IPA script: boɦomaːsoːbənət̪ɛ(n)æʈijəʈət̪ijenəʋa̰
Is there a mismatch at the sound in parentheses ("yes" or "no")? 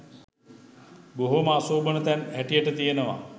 no